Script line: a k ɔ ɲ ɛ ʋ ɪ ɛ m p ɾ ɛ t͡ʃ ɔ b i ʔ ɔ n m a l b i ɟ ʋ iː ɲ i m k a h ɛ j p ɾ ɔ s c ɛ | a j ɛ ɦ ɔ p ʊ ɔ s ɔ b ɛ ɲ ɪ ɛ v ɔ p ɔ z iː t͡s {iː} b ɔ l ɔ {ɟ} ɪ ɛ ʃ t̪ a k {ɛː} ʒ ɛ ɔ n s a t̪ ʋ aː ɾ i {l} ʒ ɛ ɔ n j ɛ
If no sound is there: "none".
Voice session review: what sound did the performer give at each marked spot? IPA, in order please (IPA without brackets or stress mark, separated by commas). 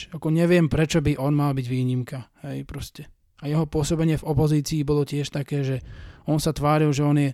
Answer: iː, c, ɛː, l